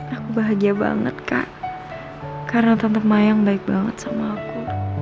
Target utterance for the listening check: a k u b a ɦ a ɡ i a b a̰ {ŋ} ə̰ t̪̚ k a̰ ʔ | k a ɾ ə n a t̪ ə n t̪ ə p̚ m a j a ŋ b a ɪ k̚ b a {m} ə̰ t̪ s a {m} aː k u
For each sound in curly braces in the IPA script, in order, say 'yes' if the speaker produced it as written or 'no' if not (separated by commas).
yes, no, yes